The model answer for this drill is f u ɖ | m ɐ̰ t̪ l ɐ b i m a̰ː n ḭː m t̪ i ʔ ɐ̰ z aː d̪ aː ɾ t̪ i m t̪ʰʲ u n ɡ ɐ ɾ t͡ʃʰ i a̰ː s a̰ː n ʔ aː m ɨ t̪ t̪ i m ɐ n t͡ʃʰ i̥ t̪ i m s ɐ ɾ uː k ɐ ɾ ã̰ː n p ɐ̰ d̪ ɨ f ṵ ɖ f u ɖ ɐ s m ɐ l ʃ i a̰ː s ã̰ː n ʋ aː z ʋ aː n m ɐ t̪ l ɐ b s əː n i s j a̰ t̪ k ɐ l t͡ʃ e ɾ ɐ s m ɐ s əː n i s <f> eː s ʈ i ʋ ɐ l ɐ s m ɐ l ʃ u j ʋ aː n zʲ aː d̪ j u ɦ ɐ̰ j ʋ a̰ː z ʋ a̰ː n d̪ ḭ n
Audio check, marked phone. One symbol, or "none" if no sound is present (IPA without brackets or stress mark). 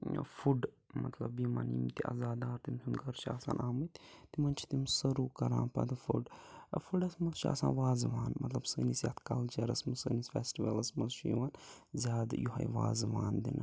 f